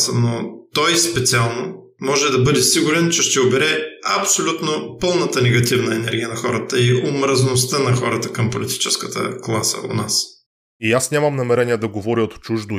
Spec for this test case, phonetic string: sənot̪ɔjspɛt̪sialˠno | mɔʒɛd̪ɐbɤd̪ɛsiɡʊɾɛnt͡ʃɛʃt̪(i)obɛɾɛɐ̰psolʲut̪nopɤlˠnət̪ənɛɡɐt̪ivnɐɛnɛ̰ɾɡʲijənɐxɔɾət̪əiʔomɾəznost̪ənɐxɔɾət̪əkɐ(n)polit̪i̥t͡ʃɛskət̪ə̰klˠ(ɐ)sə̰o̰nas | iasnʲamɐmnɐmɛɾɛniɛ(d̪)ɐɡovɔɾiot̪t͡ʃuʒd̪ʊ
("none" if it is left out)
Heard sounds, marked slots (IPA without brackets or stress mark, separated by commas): ɛ, m, a, d̪